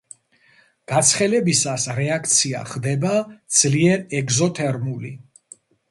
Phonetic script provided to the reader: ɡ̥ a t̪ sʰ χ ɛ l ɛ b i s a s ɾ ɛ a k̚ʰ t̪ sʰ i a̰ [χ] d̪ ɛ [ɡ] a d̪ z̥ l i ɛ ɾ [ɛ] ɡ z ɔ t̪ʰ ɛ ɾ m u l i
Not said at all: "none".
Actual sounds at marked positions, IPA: χ, b, ɛ

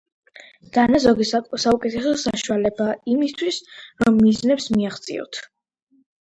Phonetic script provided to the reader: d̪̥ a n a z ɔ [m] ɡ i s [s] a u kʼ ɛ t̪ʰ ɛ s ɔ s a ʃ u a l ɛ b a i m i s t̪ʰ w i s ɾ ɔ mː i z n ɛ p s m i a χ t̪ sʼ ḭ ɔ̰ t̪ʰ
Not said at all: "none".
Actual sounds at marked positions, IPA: none, s

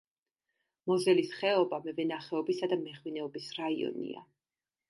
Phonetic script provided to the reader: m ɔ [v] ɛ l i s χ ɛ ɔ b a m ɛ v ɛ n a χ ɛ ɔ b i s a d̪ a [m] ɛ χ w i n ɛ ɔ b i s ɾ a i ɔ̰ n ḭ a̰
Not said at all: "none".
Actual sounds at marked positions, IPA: z, m

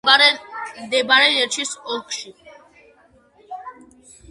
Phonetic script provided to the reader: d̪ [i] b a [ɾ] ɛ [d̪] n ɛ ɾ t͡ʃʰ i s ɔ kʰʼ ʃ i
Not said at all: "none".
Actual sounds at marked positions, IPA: ɛ, ɾ, none

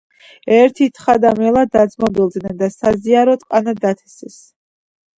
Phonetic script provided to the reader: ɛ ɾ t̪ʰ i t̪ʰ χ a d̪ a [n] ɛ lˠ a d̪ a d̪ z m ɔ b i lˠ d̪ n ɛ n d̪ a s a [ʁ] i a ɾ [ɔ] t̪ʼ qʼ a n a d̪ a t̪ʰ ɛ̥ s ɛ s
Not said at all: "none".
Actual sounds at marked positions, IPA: m, z, ɔ

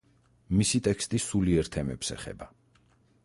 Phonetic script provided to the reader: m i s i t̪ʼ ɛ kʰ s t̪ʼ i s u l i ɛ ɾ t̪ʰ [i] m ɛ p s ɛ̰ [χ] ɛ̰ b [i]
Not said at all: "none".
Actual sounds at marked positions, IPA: ɛ, χ, a

